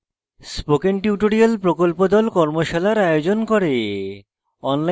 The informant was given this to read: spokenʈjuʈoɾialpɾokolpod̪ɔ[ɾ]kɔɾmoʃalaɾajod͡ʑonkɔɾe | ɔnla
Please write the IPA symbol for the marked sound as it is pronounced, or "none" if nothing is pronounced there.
l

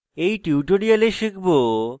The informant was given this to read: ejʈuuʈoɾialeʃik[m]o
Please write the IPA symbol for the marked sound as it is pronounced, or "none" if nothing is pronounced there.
b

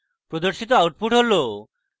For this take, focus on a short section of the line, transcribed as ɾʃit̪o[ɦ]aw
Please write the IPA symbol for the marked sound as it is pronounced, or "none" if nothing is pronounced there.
none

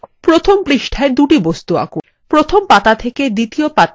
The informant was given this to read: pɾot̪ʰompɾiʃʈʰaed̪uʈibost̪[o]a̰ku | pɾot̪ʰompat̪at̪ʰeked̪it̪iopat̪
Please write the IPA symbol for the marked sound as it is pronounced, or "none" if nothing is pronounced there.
u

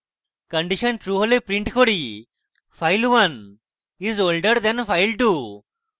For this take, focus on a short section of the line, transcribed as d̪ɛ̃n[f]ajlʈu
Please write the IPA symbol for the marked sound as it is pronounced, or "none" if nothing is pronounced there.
f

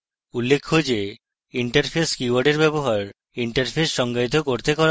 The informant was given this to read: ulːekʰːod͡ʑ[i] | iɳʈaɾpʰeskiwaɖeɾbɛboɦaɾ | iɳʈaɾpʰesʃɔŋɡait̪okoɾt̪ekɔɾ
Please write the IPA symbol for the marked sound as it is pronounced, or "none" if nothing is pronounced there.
e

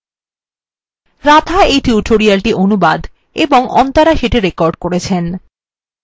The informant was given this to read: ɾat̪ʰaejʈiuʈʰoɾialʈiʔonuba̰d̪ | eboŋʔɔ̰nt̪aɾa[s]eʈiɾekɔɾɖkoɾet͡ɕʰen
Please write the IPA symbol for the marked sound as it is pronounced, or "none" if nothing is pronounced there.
ʃ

